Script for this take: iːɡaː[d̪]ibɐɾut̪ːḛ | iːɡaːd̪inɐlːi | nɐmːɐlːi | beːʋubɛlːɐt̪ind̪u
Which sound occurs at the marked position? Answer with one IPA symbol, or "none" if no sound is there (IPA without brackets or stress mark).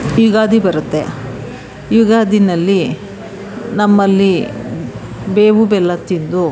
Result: d̪